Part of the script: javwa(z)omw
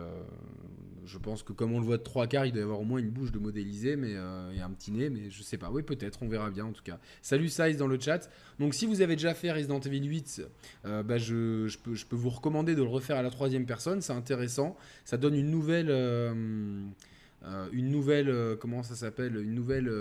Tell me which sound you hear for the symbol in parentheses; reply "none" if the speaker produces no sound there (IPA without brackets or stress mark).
ʁ